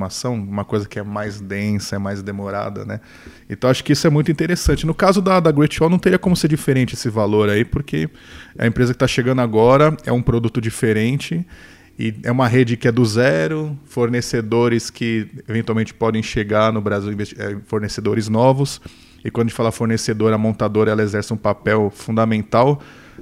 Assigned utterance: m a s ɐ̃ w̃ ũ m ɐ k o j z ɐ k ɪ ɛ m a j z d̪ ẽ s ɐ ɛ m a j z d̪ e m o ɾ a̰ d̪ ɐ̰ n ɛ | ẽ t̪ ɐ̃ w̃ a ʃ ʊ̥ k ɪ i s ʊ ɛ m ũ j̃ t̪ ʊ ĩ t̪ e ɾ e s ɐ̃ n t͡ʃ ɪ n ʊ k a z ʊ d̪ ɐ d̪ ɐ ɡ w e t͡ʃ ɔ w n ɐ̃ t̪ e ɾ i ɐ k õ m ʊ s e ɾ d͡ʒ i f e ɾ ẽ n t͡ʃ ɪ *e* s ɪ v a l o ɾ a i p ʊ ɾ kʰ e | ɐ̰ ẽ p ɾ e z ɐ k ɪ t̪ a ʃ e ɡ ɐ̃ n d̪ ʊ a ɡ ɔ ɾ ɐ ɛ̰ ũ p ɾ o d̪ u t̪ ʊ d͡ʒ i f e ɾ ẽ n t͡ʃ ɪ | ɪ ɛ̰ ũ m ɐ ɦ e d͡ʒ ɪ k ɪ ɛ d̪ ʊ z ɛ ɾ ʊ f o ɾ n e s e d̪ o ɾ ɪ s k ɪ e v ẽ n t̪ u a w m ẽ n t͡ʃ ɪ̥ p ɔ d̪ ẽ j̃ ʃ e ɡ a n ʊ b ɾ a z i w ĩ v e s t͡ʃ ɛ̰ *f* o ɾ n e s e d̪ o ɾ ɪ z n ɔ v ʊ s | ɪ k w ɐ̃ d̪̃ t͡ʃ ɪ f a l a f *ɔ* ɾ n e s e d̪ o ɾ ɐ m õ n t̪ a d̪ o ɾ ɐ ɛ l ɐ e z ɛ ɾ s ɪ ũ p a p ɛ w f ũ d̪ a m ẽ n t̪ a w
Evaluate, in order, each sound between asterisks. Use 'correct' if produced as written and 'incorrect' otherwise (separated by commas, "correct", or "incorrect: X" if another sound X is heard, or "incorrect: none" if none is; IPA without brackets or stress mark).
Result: correct, correct, incorrect: o